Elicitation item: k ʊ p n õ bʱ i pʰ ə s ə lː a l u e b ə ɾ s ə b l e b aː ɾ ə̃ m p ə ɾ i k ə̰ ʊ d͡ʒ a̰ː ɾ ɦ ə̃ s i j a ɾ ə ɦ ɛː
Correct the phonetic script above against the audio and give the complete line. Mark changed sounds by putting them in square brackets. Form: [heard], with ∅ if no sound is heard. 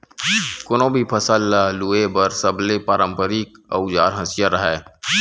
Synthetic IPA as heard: k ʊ [∅] n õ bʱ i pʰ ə s ə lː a l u e b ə ɾ s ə b l e [p] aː ɾ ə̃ m p ə ɾ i k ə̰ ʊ d͡ʒ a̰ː ɾ ɦ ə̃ s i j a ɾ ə ɦ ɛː